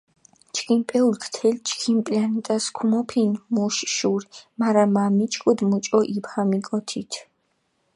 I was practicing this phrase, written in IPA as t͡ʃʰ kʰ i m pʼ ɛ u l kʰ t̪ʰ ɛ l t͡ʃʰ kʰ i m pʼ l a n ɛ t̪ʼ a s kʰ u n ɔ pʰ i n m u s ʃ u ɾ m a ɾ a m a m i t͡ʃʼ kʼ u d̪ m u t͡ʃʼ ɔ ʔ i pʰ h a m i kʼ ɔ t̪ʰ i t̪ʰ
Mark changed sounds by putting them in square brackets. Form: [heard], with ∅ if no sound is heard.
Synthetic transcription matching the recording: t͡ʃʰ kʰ i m pʼ ɛ u l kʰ t̪ʰ ɛ l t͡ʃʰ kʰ i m pʼ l a n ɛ t̪ʼ a s kʰ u [m] ɔ pʰ i n m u [ʃ] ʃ u ɾ m a ɾ a m a m i t͡ʃʼ kʼ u d̪ m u t͡ʃʼ ɔ ʔ i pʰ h a m i kʼ ɔ t̪ʰ i t̪ʰ